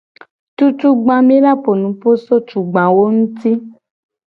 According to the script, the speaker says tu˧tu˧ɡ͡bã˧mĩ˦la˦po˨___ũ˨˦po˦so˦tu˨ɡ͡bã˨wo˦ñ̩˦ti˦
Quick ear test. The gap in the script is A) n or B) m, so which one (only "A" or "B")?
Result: A